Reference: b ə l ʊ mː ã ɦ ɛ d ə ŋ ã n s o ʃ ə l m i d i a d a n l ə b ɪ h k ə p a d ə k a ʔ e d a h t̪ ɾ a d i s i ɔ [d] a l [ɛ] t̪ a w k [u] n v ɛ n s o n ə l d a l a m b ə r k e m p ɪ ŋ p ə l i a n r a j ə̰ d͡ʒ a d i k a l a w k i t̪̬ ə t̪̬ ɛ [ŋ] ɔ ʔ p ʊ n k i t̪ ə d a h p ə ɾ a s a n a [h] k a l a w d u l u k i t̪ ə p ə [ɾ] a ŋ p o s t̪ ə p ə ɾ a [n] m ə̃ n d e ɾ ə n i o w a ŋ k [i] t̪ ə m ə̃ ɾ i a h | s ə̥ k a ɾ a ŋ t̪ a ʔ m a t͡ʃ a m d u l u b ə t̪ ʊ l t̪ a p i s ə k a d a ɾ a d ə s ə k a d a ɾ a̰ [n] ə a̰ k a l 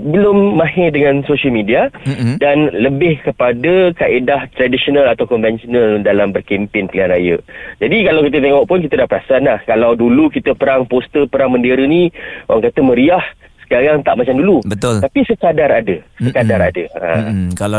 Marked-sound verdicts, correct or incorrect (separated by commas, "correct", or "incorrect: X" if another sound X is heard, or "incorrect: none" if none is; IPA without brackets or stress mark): incorrect: n, incorrect: a, incorrect: ɔ, correct, correct, correct, incorrect: ŋ, incorrect: a, incorrect: d